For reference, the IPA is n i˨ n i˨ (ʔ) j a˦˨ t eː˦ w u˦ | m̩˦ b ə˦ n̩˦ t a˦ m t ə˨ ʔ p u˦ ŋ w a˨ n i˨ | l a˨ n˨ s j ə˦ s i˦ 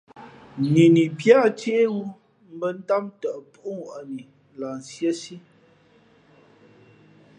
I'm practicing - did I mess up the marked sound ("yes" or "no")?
yes